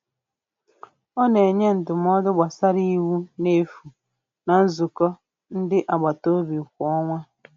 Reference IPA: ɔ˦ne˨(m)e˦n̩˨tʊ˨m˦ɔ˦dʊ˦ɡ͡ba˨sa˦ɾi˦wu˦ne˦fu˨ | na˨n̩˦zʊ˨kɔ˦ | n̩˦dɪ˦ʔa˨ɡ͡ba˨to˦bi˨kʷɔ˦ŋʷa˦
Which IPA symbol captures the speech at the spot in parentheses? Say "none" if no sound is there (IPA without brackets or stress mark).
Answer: ɲ